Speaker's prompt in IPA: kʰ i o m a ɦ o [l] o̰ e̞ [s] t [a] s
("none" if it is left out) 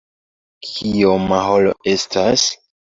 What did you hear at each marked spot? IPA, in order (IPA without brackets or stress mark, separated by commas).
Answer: l, s, a